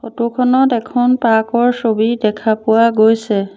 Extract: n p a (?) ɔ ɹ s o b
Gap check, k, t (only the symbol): k